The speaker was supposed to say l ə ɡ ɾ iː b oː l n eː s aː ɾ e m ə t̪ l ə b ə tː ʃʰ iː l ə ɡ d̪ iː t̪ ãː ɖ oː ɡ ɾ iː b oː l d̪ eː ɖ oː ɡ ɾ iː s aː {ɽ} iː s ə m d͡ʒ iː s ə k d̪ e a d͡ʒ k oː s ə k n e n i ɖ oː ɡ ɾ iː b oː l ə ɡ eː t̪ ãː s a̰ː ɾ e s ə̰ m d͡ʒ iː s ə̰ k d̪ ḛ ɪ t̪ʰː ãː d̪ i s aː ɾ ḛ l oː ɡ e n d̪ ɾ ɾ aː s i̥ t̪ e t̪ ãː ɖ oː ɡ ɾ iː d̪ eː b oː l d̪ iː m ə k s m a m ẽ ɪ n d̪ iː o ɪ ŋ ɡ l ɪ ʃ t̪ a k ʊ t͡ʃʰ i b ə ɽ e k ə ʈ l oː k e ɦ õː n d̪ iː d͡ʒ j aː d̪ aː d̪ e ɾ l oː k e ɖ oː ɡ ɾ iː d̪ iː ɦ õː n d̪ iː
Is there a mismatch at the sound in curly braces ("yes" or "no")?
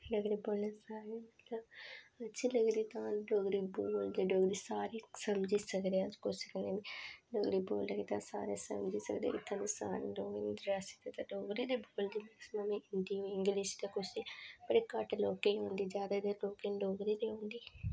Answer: yes